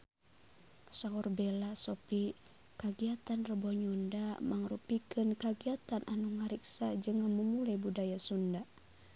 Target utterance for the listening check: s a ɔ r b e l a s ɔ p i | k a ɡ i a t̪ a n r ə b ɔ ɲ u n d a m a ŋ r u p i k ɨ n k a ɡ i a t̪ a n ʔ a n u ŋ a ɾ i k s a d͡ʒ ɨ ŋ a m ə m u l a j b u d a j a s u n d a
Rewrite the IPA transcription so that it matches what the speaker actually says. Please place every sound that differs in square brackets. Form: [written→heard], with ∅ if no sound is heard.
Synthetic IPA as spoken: s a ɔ r b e l a s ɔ p i | k a ɡ i a t̪ a n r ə b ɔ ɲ u n d a m a ŋ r u p i k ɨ n k a ɡ i a t̪ a n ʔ a n u ŋ a ɾ i k s a d͡ʒ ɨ ŋ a m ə m u l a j b u d a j a s u n d a